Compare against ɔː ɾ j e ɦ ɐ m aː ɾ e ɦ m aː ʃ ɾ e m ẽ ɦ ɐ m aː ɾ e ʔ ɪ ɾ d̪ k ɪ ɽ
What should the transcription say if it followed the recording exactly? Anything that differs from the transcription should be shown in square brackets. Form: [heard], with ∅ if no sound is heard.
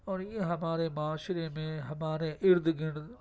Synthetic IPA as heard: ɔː ɾ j e ɦ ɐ m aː ɾ e [∅] m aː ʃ ɾ e m ẽ ɦ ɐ m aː ɾ e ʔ ɪ ɾ d̪ [ɡ] ɪ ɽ